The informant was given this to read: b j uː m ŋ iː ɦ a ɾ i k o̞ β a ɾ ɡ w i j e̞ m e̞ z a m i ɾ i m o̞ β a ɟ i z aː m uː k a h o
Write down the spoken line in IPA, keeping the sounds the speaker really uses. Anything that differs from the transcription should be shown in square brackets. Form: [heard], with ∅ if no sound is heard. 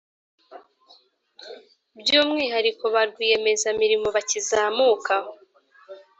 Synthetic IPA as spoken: b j uː m ŋ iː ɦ a ɾ i k o̞ β a ɾ ɡ w i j e̞ m e̞ z a m i ɾ i m o̞ β a [c] i z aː m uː k a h o